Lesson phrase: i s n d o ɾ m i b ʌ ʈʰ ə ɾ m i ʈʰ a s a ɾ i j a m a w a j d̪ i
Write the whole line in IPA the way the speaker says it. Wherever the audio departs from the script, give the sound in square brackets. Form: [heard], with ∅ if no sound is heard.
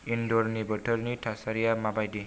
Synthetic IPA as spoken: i [∅] n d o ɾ [n] i b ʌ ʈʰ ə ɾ [n] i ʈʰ a s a ɾ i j a m a [b] a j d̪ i